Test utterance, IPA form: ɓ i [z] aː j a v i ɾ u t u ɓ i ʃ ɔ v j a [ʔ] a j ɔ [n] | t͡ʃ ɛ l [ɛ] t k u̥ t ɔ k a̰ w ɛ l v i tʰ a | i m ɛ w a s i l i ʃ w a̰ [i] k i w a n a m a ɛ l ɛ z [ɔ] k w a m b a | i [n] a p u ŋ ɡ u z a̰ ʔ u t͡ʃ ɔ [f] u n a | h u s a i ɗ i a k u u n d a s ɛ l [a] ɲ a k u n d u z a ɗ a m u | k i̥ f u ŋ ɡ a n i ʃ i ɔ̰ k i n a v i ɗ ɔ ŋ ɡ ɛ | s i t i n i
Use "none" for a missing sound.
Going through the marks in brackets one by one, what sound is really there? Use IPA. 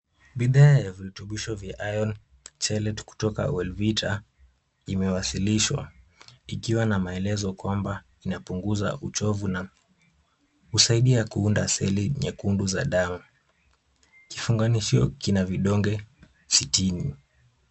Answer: ð, ʔ, n, ɛ, i, ɔ, n, v, i

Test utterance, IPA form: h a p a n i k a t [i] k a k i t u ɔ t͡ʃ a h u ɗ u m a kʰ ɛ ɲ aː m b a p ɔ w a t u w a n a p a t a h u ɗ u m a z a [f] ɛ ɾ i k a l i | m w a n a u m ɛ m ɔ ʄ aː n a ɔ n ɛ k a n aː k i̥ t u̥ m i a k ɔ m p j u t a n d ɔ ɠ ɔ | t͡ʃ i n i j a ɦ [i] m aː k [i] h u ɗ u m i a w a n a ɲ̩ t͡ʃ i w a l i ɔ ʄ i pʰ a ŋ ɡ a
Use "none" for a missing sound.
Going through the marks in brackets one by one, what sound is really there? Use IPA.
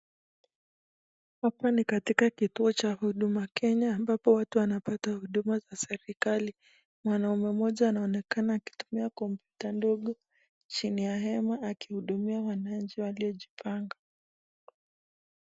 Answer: i, s, ɛ, i

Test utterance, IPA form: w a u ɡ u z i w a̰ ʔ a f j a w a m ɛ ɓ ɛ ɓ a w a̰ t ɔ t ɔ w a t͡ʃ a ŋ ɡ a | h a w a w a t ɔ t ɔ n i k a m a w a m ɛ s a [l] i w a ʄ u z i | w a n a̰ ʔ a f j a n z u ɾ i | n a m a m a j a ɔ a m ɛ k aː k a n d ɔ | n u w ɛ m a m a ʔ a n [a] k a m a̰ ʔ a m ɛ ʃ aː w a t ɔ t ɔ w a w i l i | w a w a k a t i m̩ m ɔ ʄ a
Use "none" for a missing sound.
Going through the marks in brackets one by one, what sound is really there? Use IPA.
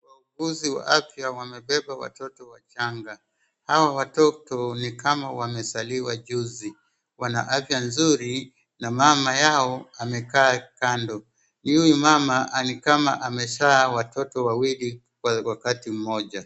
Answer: l, i

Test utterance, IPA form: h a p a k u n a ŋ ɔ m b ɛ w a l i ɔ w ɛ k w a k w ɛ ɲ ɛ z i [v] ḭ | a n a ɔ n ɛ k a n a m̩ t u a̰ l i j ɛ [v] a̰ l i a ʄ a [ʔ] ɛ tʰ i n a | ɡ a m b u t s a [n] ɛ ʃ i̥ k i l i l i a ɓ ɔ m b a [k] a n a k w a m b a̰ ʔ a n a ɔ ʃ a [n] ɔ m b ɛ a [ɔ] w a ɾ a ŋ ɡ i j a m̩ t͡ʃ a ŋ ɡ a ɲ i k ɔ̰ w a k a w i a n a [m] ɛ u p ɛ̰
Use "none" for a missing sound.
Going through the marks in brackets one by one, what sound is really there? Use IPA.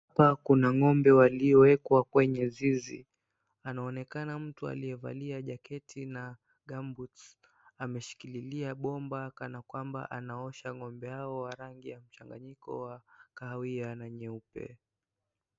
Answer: z, v, k, m, k, ŋ, ɔ, ɲ

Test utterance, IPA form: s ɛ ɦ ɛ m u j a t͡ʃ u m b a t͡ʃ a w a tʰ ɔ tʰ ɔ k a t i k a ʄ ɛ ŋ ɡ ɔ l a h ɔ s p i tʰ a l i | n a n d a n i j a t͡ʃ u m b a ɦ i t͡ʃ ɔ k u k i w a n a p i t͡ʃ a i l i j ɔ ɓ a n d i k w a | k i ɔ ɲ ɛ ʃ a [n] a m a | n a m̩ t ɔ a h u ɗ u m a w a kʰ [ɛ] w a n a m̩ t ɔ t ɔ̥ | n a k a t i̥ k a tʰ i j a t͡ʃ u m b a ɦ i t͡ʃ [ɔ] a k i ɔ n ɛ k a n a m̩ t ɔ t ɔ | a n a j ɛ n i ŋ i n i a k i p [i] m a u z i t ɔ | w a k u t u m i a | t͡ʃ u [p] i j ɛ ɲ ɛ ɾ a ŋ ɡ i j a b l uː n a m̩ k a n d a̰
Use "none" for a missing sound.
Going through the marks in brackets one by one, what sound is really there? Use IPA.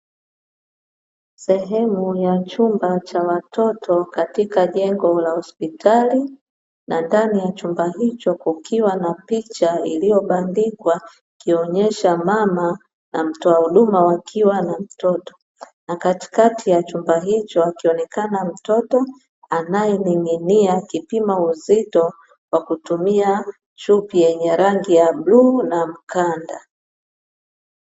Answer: m, i, ɔ, i, p

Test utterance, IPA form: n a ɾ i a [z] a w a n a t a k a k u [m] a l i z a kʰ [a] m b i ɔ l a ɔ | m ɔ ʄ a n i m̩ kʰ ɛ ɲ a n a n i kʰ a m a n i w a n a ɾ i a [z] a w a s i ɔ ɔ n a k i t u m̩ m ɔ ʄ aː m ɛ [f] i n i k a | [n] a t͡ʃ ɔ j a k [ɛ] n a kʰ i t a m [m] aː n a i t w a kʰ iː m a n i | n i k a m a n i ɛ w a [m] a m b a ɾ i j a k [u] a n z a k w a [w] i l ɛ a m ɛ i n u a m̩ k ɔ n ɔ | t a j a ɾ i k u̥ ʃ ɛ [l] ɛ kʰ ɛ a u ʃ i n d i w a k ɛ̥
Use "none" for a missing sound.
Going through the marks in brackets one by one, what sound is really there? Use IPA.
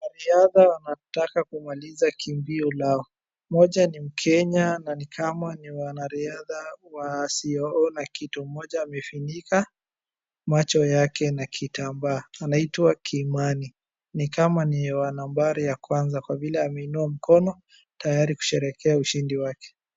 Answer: ð, m, i, ð, f, m, ɛ, b, n, w, v, ɾ

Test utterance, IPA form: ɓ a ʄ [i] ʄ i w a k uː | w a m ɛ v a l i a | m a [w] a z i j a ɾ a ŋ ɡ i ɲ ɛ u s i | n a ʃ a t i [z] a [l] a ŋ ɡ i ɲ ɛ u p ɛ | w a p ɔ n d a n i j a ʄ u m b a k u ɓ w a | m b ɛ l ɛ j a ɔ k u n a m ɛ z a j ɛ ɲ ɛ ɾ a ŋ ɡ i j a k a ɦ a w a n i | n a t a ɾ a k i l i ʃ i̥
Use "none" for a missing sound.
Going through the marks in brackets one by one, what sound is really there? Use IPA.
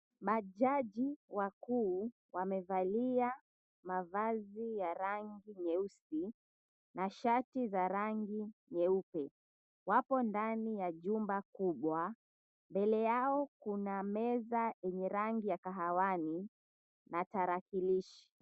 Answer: a, v, z, ɾ

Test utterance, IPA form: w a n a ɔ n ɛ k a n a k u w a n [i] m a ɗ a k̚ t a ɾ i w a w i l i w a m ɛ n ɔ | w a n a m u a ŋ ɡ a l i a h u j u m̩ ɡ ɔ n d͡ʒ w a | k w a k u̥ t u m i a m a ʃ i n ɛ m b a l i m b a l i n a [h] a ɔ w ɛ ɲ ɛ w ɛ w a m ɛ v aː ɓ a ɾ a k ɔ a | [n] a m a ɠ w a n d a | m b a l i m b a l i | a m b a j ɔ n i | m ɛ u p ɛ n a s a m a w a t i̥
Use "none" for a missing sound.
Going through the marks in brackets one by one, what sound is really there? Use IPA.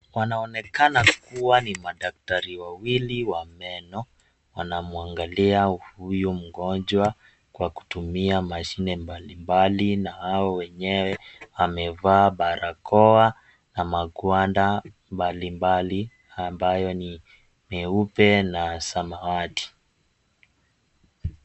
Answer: i, h, n

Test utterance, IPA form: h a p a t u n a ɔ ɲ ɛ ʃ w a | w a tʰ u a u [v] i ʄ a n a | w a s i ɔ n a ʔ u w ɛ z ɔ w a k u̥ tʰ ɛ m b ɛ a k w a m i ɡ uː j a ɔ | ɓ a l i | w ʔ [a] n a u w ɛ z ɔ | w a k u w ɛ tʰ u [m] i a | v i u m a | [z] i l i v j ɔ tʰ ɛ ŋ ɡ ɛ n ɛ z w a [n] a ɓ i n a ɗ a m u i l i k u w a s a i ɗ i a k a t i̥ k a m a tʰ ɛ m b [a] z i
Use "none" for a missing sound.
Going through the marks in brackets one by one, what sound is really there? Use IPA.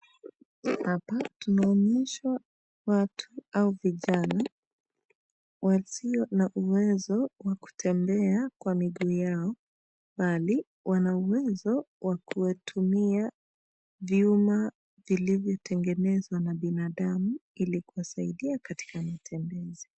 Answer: v, a, m, v, n, ɛ

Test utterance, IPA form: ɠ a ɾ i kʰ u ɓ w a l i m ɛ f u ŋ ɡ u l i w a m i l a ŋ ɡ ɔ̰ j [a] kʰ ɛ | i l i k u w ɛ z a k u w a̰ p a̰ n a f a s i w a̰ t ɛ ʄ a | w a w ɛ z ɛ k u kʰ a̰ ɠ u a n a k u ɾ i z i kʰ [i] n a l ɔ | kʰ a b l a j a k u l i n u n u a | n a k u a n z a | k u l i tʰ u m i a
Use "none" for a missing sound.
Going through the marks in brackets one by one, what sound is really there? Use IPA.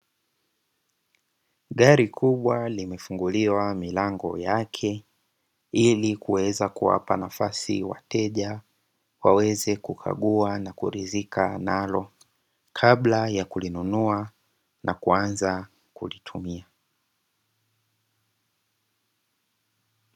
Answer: a, a

